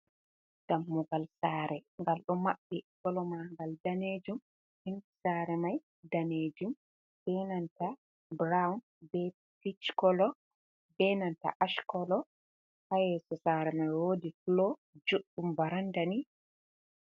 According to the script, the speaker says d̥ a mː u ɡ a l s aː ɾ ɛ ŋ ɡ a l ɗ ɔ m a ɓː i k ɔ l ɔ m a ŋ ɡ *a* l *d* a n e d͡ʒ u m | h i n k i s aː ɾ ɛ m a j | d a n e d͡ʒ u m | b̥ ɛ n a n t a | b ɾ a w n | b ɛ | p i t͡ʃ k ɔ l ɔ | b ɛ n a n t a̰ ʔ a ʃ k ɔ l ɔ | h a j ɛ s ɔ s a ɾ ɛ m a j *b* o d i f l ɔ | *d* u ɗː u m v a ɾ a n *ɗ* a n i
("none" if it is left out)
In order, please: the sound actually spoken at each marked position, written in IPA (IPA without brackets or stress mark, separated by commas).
a, d, w, d͡ʒ, d